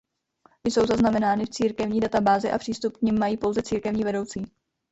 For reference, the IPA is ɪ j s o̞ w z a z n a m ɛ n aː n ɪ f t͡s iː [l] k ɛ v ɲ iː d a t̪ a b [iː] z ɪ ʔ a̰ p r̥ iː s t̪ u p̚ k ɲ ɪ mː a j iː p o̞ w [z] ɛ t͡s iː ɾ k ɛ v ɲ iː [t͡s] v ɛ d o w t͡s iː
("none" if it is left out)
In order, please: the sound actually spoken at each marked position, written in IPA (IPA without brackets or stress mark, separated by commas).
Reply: ɾ, aː, z, none